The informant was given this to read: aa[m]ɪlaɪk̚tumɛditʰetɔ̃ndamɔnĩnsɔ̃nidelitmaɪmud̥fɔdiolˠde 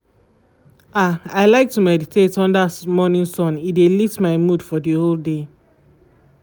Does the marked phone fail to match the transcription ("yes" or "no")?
yes